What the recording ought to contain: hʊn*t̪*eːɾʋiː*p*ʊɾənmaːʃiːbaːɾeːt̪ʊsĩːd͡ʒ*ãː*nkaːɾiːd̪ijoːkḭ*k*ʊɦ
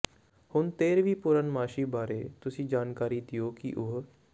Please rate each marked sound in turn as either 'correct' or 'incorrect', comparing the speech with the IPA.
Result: correct, correct, incorrect, incorrect

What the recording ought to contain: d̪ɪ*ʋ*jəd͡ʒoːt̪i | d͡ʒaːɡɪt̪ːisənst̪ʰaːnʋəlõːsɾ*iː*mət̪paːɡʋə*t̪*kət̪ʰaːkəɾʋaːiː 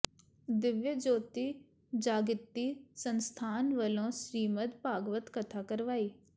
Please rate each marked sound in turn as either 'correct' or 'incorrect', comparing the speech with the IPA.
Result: correct, correct, correct

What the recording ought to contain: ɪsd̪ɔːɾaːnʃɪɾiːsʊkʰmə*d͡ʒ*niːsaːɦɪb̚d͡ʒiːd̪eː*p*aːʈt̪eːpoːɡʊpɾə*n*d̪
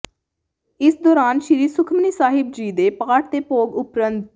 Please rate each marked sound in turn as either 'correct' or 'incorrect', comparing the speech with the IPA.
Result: incorrect, correct, correct

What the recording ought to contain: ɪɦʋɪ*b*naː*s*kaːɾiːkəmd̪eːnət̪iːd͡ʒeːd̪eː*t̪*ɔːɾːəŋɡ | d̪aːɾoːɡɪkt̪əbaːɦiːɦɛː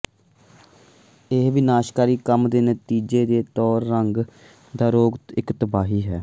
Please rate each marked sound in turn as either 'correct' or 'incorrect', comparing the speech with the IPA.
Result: incorrect, incorrect, correct

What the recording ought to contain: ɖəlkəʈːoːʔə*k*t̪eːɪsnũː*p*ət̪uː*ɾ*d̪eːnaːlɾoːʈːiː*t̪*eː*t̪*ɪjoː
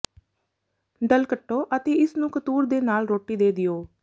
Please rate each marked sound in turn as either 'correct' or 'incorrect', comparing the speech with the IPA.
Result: incorrect, incorrect, correct, incorrect, incorrect

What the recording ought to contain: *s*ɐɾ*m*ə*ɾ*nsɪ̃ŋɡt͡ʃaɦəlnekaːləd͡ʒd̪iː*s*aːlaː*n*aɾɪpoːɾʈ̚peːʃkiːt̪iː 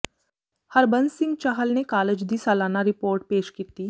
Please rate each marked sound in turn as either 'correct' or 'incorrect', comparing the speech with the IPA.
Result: incorrect, incorrect, incorrect, correct, correct

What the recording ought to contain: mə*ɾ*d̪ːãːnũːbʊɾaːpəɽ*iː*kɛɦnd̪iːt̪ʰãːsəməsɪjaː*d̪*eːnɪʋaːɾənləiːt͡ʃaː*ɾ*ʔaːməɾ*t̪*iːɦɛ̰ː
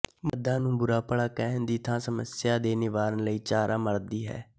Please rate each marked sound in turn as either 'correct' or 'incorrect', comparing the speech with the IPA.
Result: incorrect, incorrect, correct, correct, incorrect

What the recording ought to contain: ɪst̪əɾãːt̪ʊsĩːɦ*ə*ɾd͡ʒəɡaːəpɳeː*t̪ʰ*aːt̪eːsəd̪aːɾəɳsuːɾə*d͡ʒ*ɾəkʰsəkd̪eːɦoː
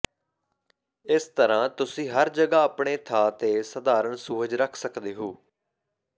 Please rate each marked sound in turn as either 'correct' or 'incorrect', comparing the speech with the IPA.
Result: correct, correct, correct

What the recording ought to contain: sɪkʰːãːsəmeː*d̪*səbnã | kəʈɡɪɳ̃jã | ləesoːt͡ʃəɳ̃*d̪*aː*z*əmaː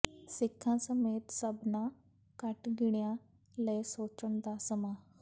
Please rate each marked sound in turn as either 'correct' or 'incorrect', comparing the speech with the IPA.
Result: incorrect, correct, incorrect

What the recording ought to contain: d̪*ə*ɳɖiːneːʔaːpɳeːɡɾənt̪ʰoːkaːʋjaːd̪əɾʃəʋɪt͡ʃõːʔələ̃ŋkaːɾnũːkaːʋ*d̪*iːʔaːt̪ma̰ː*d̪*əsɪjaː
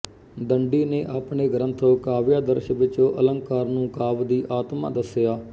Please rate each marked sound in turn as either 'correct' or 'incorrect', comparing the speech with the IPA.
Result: correct, correct, correct

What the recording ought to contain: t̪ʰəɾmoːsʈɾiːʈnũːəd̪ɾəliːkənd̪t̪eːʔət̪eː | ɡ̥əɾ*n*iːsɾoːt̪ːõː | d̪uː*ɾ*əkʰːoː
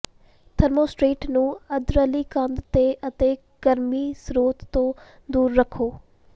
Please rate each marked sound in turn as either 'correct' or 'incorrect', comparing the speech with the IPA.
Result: incorrect, incorrect

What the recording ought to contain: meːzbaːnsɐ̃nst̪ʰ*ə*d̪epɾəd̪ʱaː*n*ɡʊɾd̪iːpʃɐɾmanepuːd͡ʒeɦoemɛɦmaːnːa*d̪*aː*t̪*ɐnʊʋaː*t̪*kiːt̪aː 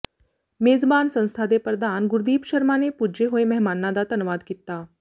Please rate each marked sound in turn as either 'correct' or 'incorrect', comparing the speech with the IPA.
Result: incorrect, correct, correct, correct, incorrect

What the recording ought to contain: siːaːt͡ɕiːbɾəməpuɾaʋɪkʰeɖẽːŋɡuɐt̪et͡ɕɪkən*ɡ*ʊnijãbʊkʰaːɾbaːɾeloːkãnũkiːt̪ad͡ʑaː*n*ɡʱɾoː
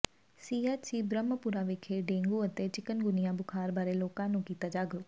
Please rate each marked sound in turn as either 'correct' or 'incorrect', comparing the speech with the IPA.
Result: correct, incorrect

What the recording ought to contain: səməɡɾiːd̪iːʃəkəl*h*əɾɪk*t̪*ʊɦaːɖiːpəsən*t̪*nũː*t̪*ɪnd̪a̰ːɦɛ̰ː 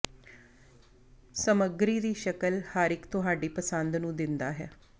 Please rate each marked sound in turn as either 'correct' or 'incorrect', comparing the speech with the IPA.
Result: correct, correct, incorrect, incorrect

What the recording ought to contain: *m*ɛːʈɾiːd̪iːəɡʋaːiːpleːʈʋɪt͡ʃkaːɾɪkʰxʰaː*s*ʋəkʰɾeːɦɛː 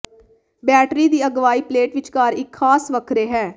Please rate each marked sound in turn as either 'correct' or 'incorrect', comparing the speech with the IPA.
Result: incorrect, correct

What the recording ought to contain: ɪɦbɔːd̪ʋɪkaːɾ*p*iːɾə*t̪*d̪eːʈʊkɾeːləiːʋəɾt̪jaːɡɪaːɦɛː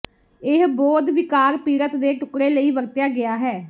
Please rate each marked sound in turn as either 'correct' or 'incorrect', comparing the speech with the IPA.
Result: correct, correct

